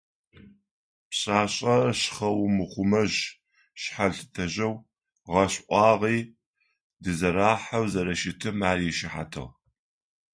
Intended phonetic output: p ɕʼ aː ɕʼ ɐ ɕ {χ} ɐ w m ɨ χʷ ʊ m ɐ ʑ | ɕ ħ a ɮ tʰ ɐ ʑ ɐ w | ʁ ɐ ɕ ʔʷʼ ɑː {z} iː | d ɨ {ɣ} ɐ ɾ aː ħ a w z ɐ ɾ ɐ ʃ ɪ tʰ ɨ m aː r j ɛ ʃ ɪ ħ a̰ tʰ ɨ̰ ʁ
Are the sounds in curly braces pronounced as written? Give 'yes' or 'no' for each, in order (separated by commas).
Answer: yes, no, no